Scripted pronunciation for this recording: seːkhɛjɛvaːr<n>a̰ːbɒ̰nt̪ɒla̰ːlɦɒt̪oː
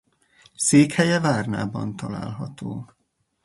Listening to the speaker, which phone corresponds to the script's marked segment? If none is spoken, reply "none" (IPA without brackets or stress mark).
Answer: n